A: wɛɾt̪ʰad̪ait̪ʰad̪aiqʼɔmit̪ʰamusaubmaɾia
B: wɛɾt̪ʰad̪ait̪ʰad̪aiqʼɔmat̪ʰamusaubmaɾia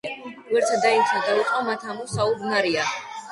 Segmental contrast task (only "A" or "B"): B